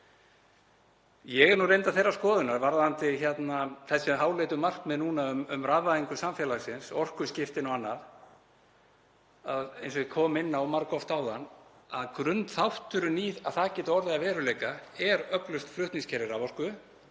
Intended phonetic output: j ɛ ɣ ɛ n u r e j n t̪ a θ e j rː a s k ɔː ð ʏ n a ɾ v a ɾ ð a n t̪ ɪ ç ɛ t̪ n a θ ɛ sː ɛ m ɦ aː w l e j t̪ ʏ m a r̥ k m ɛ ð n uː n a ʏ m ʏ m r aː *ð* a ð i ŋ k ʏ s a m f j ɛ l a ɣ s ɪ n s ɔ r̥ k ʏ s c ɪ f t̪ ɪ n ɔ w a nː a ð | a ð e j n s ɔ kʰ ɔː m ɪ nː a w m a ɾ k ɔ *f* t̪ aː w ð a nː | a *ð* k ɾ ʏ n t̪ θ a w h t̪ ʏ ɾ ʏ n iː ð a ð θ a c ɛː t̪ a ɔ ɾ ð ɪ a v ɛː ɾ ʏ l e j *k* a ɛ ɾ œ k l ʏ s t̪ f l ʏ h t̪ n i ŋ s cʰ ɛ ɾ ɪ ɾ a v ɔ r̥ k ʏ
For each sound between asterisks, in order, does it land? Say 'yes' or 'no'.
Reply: no, yes, yes, yes

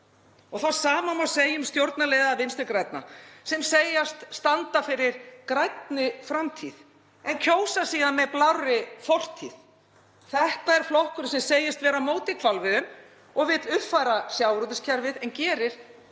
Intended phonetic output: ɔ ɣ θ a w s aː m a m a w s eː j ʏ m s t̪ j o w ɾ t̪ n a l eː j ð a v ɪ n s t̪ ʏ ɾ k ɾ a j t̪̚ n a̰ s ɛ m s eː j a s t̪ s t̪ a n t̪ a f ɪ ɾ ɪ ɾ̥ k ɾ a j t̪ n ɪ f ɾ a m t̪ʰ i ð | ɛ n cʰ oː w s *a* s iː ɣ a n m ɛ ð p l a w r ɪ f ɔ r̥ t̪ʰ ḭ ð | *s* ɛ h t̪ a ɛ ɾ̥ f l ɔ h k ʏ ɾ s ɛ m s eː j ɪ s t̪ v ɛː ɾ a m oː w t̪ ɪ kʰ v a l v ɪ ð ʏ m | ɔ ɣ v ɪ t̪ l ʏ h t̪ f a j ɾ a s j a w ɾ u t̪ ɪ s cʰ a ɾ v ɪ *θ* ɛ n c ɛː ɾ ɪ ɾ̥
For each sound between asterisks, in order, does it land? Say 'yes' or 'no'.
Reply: yes, no, no

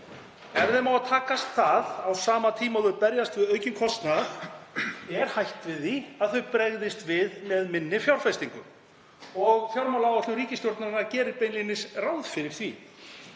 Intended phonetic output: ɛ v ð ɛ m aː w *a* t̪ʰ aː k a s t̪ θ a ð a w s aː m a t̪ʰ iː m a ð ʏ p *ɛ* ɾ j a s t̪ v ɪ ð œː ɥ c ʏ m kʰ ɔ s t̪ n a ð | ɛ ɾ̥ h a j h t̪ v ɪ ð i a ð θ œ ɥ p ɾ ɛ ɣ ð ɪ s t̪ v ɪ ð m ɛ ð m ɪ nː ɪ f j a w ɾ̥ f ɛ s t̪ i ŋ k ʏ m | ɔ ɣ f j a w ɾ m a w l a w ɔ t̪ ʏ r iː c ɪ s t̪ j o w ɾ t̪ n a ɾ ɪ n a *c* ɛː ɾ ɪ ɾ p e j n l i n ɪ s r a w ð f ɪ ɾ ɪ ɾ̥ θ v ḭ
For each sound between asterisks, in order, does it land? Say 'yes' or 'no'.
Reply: yes, yes, yes

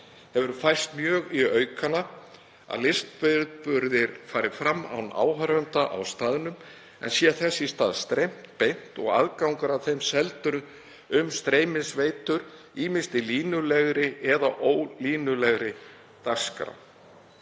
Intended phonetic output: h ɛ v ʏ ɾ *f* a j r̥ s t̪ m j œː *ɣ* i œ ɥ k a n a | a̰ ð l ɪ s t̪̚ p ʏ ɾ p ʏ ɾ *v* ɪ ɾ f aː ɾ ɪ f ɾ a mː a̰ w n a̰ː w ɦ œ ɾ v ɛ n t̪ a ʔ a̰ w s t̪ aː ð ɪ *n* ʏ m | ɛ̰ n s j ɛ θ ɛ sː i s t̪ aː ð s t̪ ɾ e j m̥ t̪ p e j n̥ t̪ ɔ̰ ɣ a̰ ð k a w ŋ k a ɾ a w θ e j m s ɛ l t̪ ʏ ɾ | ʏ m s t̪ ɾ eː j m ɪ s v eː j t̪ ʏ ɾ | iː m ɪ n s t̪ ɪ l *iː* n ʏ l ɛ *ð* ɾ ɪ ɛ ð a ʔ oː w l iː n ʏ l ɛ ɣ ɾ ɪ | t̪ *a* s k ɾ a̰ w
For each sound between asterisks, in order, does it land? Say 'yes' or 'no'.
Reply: yes, yes, no, yes, yes, no, yes

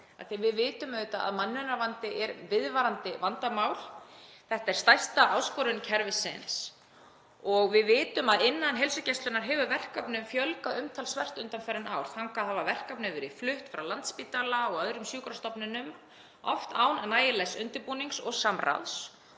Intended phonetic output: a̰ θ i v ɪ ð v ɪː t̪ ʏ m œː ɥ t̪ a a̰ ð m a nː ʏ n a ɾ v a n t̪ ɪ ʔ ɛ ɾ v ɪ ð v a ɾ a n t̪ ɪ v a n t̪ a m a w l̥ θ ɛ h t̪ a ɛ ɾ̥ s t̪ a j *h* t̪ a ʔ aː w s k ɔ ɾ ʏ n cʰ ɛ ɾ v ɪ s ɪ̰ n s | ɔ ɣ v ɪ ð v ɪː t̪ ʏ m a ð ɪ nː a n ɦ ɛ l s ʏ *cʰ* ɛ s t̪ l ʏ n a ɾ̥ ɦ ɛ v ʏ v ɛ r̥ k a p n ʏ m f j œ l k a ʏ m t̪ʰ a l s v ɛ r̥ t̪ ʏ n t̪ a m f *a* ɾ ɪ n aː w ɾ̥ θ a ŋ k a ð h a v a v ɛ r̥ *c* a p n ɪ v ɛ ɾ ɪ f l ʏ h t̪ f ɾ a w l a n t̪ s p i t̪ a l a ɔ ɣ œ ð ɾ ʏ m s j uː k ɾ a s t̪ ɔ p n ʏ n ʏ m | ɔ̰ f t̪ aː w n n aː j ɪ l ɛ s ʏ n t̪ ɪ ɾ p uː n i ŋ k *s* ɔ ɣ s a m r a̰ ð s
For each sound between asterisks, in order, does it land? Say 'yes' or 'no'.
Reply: no, no, no, no, yes

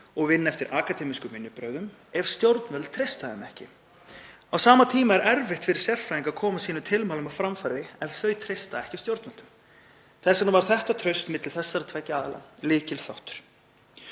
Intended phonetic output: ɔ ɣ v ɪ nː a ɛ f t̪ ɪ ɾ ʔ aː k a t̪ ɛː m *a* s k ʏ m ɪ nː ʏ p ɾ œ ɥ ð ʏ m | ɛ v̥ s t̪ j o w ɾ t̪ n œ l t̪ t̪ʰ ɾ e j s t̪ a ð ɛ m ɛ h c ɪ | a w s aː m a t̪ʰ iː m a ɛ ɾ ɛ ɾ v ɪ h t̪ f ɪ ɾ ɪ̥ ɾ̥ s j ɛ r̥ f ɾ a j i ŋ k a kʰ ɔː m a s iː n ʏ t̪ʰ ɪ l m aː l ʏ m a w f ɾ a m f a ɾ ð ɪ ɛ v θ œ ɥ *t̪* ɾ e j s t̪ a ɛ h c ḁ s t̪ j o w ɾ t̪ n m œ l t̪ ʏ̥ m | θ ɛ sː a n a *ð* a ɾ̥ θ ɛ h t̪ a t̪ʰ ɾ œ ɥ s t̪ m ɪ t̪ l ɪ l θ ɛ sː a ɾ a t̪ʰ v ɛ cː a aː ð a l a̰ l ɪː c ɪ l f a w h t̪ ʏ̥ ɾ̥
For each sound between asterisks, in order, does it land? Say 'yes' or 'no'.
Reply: no, no, no

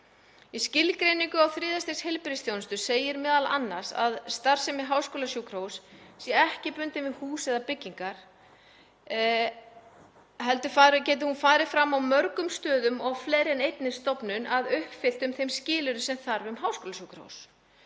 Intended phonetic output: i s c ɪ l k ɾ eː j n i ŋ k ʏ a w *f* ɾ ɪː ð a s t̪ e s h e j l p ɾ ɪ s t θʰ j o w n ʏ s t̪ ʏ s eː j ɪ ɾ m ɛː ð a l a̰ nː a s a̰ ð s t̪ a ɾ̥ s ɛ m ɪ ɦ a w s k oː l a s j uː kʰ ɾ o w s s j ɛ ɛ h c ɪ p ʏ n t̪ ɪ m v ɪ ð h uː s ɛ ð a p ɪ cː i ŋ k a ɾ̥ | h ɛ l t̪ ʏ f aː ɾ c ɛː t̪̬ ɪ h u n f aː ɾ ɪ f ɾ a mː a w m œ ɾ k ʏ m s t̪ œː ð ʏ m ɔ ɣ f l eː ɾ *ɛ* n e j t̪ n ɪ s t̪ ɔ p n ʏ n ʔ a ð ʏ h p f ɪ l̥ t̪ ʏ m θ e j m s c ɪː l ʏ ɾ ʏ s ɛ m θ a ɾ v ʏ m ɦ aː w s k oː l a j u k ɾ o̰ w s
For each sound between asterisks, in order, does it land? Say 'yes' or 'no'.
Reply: no, yes

